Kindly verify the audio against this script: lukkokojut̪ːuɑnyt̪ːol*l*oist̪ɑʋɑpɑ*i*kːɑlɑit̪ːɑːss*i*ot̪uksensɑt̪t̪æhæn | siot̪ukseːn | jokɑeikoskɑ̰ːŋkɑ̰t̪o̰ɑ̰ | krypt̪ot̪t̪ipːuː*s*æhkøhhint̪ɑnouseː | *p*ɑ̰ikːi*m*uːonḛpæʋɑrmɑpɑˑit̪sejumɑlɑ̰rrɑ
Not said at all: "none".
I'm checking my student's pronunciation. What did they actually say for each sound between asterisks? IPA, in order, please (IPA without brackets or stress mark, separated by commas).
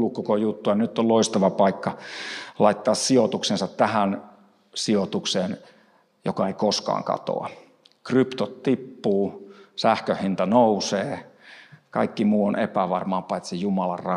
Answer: l, i, i, s, k, m